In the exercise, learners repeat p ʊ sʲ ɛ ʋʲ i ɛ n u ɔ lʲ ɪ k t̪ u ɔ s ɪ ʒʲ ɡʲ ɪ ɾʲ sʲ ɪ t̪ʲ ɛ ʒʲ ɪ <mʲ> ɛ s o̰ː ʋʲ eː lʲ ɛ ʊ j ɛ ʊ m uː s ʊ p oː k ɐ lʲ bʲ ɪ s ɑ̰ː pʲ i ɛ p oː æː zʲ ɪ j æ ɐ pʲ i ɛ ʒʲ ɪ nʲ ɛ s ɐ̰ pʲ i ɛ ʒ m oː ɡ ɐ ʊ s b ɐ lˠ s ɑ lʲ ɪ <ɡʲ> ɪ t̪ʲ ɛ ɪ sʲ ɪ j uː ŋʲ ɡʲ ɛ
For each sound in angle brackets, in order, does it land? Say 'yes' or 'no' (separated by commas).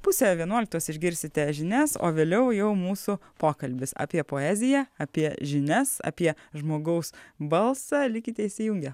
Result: no, no